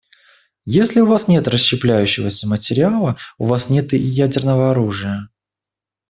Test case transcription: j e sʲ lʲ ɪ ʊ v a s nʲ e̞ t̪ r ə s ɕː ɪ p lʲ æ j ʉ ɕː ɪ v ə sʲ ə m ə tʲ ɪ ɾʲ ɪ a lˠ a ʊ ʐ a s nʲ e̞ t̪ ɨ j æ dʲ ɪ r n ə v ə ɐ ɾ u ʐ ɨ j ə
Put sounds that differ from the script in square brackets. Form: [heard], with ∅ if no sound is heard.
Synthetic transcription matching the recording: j e sʲ lʲ ɪ ʊ v a s nʲ e̞ t̪ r ə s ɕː ɪ p lʲ æ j ʉ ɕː ɪ v ə sʲ ə m ə tʲ ɪ ɾʲ ɪ a lˠ [ə] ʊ [v] a s nʲ e̞ t̪ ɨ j æ dʲ ɪ r n ə v ə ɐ ɾ u ʐ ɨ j ə